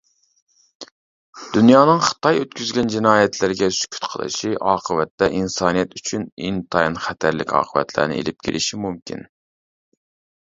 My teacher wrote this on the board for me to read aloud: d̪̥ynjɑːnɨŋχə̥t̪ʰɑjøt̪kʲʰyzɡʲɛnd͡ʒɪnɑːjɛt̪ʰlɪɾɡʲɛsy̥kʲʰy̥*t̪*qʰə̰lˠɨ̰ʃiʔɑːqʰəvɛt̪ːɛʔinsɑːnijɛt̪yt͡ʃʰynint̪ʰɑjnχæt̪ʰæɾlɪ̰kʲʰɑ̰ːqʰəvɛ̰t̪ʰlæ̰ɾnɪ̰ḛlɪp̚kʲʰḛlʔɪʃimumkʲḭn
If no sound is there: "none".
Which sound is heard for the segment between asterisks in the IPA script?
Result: t̪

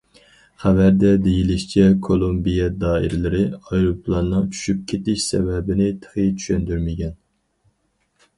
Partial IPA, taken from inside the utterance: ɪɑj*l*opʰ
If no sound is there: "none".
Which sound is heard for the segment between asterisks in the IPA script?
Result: ɾ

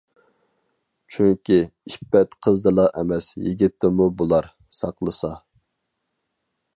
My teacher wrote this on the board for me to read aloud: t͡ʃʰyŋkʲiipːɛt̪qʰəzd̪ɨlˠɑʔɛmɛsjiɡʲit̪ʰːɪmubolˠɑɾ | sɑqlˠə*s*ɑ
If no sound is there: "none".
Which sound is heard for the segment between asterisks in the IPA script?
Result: s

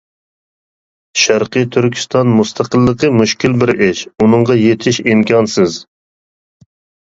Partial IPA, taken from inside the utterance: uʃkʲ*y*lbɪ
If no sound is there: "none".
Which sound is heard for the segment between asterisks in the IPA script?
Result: i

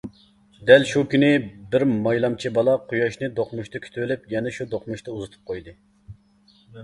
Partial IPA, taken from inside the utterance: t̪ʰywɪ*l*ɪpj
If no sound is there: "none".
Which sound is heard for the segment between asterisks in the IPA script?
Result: l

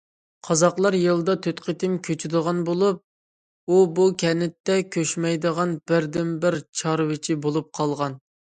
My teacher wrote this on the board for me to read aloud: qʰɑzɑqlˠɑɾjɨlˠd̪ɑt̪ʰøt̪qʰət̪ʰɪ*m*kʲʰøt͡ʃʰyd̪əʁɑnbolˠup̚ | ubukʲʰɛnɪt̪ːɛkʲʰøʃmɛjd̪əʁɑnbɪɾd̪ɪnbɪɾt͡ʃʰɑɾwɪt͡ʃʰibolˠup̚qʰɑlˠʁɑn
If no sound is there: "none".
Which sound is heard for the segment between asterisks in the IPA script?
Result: m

